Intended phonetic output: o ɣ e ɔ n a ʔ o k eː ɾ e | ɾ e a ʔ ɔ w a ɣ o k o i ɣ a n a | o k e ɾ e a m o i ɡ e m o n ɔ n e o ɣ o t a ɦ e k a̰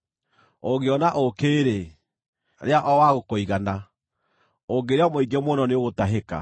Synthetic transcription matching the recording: o ɣ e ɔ n a ʔ o k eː ɾ e | ɾ e a ʔ ɔ w a ɣ o k o i ɣ a n a | o ɡ e ɾ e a m o i ɡ e m o n ɔ n e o ɣ o t a ɦ e k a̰